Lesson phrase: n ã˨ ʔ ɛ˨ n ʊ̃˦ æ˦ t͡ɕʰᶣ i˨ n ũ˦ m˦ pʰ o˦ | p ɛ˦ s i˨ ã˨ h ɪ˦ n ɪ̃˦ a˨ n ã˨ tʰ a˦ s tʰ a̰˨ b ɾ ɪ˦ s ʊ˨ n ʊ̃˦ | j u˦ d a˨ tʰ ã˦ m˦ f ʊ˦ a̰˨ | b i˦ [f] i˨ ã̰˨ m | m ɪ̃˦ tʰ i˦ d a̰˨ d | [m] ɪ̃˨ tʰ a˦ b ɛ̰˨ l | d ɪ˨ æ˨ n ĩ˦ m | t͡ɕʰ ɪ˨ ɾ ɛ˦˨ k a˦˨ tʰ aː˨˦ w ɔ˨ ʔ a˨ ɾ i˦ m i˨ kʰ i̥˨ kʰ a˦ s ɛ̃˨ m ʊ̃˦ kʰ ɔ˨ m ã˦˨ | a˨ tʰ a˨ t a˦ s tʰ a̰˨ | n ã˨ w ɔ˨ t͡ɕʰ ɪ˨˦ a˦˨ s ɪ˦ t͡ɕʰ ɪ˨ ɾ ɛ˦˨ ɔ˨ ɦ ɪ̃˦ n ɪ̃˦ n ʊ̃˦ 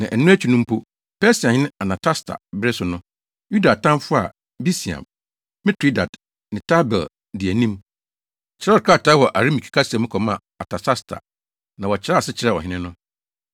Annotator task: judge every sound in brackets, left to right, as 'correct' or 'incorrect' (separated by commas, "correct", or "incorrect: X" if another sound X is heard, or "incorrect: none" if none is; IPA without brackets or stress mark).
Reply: incorrect: s, incorrect: n